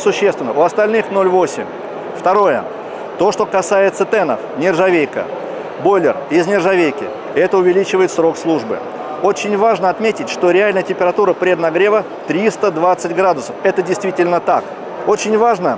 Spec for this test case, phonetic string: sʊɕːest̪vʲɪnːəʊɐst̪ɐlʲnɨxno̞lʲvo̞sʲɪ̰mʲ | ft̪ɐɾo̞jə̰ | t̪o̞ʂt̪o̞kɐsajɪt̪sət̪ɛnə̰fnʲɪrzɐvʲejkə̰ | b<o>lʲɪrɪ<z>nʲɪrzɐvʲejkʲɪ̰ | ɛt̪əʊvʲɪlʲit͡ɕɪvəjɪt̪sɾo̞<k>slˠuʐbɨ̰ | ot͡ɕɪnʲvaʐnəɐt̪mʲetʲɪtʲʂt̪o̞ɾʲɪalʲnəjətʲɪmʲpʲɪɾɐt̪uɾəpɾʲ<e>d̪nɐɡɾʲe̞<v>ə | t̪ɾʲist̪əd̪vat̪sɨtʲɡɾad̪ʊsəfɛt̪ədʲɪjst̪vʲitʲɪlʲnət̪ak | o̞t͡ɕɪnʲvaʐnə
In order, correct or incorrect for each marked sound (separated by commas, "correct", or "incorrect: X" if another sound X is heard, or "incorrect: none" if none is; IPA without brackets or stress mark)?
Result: correct, correct, correct, correct, correct